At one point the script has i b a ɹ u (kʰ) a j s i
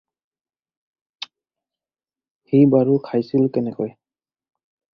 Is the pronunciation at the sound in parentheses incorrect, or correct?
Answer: correct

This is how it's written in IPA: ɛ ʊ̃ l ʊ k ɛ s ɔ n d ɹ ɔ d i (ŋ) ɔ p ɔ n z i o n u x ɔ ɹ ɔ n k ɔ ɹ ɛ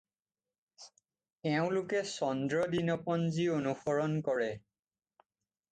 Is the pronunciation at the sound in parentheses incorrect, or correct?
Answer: incorrect: n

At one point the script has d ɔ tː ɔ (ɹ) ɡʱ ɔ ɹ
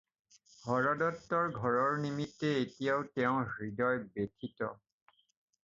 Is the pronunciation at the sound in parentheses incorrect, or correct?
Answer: correct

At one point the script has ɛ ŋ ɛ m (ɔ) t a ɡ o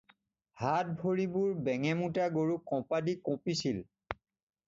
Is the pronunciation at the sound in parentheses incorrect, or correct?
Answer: incorrect: u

